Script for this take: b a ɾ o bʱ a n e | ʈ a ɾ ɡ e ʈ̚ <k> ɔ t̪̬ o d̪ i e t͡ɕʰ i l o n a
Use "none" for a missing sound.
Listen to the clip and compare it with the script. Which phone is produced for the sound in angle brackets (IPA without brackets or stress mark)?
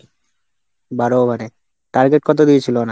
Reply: k